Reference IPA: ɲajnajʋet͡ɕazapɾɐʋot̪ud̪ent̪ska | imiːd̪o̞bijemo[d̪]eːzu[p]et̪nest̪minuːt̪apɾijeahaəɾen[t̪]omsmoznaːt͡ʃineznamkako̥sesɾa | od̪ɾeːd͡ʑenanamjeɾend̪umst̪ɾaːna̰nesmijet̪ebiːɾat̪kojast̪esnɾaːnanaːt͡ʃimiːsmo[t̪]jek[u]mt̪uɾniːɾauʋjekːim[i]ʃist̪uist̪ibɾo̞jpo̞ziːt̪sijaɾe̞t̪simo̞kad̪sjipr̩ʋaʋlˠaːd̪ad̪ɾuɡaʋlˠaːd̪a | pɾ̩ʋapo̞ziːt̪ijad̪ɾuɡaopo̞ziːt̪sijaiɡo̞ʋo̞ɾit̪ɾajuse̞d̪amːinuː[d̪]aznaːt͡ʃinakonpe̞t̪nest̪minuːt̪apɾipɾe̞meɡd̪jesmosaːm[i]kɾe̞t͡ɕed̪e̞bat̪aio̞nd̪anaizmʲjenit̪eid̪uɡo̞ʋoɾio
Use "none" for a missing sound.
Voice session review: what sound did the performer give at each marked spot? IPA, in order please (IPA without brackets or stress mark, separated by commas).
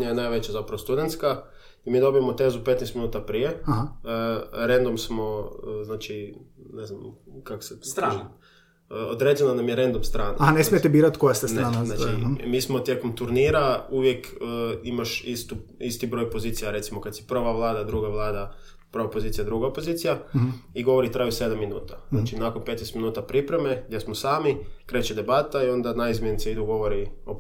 t̪, p, d̪, t̪, o, a, t̪, i